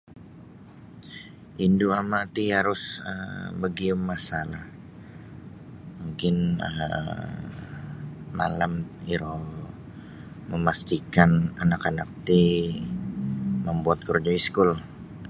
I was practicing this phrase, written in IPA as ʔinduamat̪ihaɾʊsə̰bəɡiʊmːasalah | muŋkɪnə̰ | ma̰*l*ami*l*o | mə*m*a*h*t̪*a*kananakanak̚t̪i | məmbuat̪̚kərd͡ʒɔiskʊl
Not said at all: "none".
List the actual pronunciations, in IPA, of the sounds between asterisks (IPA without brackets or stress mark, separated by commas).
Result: l, ɾ, m, s, i